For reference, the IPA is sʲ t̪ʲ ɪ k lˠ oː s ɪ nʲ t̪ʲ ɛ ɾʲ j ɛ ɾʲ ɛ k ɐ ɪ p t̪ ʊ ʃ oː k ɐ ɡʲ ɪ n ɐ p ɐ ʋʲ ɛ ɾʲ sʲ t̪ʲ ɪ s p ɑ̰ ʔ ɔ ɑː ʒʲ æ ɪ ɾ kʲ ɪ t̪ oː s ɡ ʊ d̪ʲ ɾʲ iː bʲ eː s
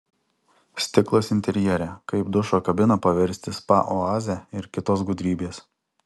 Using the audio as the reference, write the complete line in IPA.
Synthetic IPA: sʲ t̪ʲ ɪ k lˠ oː s ɪ nʲ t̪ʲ ɛ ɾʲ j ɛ ɾʲ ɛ k ɐ ɪ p d̪ ʊ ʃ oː k ɐ bʲ ɪ n ɐ p ɐ ʋʲ ɛ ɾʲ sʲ t̪ʲ ɪ s p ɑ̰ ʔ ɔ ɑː zʲ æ ɪ ɾ kʲ ɪ t̪ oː s ɡ ʊ d̪ʲ ɾʲ iː bʲ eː s